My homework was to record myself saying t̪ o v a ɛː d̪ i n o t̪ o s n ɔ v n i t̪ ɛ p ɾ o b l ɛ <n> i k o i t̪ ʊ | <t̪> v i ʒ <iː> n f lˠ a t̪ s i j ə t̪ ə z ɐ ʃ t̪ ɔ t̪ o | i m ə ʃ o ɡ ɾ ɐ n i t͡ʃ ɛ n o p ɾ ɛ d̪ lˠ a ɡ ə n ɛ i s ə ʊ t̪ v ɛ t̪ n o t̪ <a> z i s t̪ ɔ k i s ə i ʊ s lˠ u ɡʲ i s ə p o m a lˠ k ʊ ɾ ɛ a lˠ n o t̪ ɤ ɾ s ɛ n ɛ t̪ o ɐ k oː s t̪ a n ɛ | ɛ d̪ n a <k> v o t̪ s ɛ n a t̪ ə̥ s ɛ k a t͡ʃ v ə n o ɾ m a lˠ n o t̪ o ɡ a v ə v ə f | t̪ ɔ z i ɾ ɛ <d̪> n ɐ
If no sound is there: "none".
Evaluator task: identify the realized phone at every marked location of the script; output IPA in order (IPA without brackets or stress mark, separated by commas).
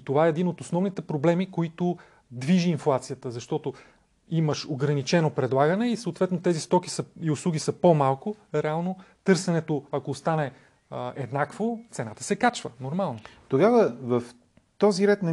m, d̪, iː, ɛ, k, t̪